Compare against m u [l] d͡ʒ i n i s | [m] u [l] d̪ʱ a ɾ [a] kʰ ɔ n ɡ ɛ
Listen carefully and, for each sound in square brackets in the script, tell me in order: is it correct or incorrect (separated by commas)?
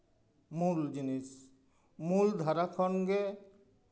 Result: correct, correct, correct, correct